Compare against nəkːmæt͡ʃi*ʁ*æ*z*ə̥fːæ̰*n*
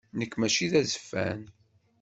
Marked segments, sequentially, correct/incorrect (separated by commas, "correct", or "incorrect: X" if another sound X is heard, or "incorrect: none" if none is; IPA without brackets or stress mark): incorrect: ð, correct, correct